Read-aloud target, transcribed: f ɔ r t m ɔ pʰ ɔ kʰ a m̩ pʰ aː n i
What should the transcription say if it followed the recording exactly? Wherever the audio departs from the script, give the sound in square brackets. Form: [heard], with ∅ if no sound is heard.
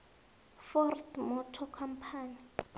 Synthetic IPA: f ɔ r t m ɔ [tʰ] ɔ kʰ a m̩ pʰ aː n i